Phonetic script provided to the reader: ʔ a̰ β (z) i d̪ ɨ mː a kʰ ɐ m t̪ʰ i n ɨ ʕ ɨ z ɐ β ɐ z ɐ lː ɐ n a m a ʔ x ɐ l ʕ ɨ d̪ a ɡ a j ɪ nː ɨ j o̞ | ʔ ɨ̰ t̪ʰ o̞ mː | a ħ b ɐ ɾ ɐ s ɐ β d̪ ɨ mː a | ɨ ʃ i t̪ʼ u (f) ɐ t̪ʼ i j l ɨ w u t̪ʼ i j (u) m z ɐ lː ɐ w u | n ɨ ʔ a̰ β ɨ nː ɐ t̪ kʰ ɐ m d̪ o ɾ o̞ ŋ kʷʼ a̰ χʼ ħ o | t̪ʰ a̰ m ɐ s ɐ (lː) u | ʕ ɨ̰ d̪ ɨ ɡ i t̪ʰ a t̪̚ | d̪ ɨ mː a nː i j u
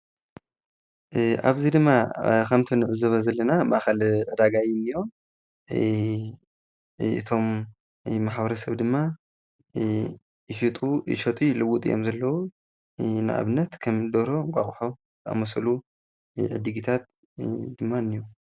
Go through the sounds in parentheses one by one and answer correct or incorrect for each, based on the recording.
correct, incorrect, incorrect, incorrect

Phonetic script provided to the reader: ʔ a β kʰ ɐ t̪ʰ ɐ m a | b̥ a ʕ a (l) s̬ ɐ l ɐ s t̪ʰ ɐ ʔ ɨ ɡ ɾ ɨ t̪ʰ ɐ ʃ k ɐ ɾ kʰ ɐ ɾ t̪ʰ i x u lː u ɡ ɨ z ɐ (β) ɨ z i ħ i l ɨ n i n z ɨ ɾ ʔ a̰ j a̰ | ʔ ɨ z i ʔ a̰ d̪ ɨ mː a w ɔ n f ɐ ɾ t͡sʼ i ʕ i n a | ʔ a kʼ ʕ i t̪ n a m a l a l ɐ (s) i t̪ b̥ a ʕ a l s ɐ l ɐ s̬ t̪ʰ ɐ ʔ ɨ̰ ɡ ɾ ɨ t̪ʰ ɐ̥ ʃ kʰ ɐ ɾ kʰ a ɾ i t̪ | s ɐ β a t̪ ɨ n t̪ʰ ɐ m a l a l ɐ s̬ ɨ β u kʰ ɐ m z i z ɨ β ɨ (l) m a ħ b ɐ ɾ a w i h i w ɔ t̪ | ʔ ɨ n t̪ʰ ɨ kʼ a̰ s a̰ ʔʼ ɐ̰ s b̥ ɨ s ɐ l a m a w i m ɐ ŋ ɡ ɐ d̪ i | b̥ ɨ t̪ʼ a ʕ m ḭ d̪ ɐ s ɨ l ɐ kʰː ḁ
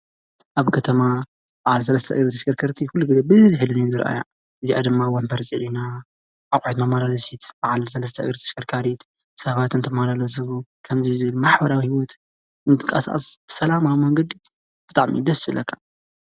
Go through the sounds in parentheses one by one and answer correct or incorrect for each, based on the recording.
correct, incorrect, correct, correct

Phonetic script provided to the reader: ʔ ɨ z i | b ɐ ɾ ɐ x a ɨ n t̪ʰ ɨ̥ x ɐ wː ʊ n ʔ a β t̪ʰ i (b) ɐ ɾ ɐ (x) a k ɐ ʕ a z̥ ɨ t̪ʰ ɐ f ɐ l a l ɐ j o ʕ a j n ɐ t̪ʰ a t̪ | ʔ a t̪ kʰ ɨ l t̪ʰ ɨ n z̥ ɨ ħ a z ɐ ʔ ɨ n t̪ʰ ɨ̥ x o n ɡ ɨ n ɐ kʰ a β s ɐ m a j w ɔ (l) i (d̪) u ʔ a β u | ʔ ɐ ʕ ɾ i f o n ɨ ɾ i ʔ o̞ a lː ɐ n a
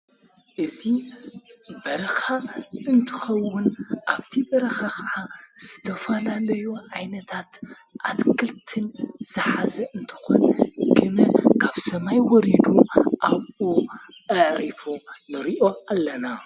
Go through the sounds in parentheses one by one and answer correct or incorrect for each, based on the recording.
correct, correct, incorrect, correct

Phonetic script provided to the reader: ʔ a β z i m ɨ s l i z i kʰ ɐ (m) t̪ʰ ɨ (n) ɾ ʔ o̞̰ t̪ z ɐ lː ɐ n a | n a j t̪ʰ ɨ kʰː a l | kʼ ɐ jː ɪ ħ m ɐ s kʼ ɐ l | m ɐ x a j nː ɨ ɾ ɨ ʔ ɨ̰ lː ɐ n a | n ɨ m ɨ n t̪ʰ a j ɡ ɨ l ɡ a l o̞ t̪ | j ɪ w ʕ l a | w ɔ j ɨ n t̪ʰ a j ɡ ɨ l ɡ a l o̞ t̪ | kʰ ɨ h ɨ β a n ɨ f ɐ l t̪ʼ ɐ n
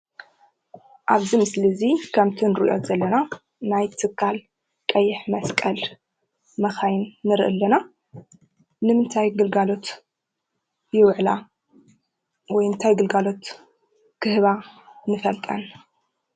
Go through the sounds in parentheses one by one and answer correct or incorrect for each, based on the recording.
correct, correct

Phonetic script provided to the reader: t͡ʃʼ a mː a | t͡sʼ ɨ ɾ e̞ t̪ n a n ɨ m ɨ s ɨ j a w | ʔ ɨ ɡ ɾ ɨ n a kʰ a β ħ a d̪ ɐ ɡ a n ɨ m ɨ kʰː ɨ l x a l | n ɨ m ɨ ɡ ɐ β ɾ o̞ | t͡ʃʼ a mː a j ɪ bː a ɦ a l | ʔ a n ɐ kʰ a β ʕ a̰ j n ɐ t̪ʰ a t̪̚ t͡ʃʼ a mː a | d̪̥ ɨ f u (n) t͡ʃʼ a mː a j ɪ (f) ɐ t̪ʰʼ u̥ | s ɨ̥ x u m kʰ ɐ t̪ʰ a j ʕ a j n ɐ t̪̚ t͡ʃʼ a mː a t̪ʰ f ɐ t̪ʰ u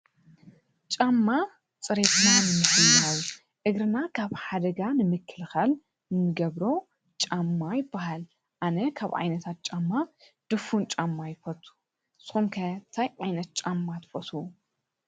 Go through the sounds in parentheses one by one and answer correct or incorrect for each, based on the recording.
correct, correct

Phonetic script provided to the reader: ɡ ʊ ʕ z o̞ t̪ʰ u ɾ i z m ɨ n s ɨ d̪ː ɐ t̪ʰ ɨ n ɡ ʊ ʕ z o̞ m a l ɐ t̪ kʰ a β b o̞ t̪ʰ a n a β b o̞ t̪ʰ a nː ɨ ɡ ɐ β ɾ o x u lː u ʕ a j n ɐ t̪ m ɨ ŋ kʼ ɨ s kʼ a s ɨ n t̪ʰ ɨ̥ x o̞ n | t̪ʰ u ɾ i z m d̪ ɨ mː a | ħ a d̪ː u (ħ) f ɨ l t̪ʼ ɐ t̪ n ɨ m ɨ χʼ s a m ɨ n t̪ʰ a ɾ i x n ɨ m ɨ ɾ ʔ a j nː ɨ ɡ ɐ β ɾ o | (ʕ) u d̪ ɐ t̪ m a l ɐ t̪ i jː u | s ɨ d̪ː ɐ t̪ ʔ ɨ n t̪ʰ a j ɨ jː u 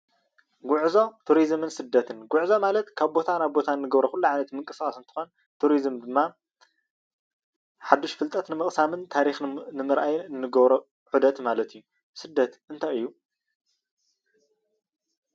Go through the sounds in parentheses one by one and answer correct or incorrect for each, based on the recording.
incorrect, correct

